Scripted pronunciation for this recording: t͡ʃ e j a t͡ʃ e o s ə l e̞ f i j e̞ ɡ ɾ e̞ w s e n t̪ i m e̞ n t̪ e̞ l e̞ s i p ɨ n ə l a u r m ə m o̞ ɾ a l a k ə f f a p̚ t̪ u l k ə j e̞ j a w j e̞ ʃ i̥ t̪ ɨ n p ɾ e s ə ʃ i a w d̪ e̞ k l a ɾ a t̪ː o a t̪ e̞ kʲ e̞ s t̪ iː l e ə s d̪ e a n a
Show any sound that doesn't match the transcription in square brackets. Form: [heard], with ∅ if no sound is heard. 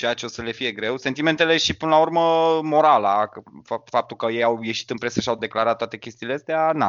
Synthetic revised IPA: t͡ʃ e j a t͡ʃ e o s ə l e̞ f i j e̞ ɡ ɾ e̞ w s e n t̪ i m e̞ n t̪ e̞ l e̞ [ʃ] i p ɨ n ə l a u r m ə m o̞ ɾ a l a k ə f f a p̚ t̪ u l k ə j e̞ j a w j e̞ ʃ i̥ t̪ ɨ n p ɾ e s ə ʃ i a w d̪ e̞ k l a ɾ a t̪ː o a t̪ e̞ kʲ e̞ s t̪ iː l e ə s [t̪] e a n a